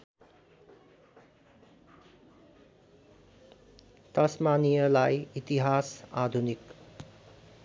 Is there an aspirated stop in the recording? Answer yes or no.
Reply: no